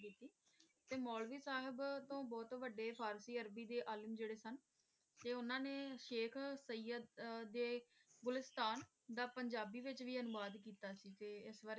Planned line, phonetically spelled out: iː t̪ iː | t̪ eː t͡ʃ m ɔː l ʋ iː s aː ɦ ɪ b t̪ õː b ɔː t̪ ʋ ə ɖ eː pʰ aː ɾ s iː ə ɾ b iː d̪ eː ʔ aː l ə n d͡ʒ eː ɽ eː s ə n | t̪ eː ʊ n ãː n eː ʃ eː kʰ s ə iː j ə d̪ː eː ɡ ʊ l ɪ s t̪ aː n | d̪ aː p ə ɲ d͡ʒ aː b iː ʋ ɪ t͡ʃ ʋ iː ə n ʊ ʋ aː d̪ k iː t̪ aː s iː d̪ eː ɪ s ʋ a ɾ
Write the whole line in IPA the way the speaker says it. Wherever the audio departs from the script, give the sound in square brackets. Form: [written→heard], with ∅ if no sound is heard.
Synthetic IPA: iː t̪ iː | t̪ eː [t͡ʃ→∅] m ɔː l ʋ iː s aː ɦ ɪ b t̪ õː b ɔː t̪ ʋ ə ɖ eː pʰ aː ɾ s iː ə ɾ b iː d̪ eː ʔ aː l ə [n→m] d͡ʒ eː ɽ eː s ə n | t̪ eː ʊ n ãː n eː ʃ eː kʰ s ə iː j ə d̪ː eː ɡ ʊ l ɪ s t̪ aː n | d̪ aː p ə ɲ d͡ʒ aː b iː ʋ ɪ t͡ʃ ʋ iː ə n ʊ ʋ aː d̪ k iː t̪ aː s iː [d̪→t̪] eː ɪ s ʋ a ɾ